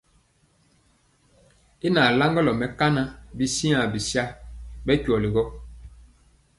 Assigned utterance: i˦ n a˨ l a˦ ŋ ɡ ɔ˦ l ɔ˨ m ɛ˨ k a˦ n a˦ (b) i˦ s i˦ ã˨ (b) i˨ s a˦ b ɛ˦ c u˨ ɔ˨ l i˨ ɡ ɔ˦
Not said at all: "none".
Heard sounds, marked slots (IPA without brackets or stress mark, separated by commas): b, b